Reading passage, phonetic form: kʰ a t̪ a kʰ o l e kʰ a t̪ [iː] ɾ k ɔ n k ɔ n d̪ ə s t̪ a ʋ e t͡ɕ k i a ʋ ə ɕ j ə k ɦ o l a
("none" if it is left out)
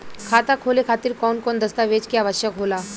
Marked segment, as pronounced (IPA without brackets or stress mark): iː